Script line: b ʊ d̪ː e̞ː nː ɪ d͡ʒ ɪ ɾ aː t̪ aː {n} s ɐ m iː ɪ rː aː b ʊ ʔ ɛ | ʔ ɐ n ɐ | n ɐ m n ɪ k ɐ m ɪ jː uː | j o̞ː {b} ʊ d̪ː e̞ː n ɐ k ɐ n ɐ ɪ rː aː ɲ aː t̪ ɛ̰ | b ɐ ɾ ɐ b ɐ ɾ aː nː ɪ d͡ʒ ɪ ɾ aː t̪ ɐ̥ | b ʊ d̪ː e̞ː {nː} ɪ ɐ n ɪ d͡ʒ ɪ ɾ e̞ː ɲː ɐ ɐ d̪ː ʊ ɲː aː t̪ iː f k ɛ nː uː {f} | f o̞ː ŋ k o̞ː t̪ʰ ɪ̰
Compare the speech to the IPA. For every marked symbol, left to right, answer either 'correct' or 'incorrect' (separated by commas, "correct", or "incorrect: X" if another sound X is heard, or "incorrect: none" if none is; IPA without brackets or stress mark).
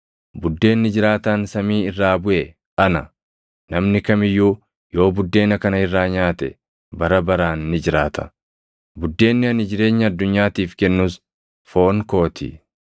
correct, correct, correct, incorrect: s